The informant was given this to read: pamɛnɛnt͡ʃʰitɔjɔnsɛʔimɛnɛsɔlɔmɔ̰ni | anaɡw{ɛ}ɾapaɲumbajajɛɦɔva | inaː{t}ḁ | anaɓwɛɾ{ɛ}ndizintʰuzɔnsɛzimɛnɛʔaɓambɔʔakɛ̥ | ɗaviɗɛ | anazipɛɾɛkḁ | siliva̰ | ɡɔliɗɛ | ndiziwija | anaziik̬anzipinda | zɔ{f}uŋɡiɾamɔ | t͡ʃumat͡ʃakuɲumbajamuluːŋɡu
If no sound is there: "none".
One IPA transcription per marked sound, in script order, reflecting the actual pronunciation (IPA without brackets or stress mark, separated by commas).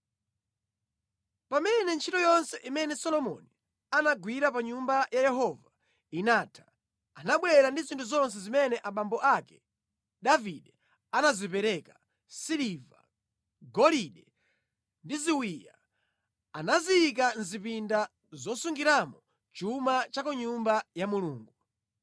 i, tʰ, a, s